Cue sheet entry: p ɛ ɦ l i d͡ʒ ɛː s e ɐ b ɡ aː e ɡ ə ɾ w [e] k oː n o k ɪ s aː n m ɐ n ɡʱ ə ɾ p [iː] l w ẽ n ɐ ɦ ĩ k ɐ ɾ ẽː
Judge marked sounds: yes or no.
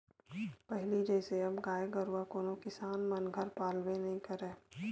no, no

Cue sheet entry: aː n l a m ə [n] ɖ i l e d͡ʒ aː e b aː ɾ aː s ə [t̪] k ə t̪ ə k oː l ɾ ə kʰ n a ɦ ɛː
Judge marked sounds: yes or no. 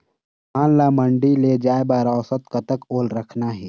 no, yes

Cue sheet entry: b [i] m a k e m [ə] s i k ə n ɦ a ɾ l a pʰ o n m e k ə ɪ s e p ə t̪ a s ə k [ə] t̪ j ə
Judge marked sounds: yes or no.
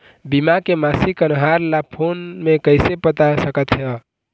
yes, no, yes

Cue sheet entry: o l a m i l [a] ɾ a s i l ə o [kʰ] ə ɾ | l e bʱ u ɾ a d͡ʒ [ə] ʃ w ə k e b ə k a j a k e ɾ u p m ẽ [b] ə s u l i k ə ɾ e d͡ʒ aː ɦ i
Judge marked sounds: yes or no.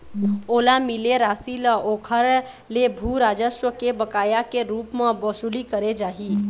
no, yes, yes, yes

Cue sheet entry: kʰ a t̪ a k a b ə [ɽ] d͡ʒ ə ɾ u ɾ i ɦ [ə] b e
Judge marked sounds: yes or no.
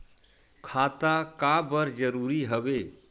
no, yes

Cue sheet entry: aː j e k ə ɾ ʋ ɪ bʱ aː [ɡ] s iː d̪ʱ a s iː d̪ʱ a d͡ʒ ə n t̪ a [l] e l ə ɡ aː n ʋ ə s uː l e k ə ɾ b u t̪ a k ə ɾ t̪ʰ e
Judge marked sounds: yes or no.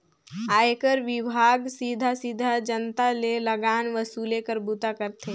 yes, yes

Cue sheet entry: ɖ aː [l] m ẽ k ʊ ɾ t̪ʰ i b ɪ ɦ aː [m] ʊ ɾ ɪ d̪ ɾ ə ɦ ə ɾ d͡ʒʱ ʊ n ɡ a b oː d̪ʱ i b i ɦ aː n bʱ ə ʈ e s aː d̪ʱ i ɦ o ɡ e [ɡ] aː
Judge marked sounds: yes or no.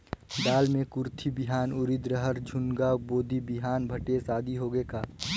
yes, no, no

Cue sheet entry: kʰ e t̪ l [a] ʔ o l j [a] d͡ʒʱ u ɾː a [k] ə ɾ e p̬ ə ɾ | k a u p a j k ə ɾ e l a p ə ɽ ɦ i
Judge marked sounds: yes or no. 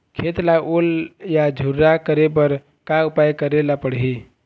yes, yes, yes

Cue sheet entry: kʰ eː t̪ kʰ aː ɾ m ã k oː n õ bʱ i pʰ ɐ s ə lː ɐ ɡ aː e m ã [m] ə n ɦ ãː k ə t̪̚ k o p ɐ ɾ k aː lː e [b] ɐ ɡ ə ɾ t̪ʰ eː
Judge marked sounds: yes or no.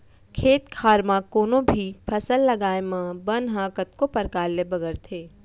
no, yes

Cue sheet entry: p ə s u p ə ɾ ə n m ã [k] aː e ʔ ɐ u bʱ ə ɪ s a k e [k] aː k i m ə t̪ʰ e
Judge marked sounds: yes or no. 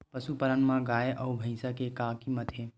no, yes

